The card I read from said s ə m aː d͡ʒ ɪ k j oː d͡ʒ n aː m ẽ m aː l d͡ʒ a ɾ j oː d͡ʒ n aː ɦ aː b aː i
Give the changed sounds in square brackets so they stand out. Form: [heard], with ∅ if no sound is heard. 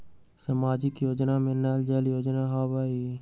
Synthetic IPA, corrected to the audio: s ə m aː d͡ʒ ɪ k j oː d͡ʒ n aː m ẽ [n] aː l d͡ʒ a [l] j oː d͡ʒ n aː ɦ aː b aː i

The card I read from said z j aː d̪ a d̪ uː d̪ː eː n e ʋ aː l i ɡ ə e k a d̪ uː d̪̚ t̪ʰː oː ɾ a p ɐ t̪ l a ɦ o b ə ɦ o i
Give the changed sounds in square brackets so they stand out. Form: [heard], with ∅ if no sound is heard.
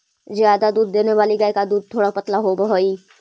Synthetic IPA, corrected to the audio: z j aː d̪ a d̪ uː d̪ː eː n e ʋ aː l i ɡ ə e k a d̪ uː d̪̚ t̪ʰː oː [ɽ] a p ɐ t̪ l a ɦ o b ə ɦ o i

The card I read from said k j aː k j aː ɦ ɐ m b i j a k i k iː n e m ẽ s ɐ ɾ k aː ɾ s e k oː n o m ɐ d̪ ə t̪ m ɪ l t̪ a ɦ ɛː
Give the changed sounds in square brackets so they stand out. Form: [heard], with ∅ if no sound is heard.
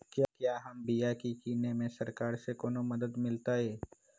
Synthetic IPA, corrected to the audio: k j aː k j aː ɦ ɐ m b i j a k i k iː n e m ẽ s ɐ ɾ k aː ɾ s e k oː n o m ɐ d̪ ə [d̪] m ɪ l t̪ a ɦ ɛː

